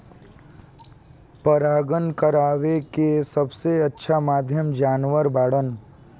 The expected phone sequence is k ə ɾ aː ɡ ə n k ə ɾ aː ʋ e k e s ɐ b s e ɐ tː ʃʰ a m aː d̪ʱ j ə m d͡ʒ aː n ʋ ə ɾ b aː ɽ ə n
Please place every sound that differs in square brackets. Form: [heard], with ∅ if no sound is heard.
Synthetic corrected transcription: [p] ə ɾ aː ɡ ə n k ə ɾ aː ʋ e k e s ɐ b s e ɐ tː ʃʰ a m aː d̪ʱ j ə m d͡ʒ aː n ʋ ə ɾ b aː ɽ ə n